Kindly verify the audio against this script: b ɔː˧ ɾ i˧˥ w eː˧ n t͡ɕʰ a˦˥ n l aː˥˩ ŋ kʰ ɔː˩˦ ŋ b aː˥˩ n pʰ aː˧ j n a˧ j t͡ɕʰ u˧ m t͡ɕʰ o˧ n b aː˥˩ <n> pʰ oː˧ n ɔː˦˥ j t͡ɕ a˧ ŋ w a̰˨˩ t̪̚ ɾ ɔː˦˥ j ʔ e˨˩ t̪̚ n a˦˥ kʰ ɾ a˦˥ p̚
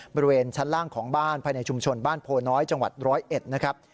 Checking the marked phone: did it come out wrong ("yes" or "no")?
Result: no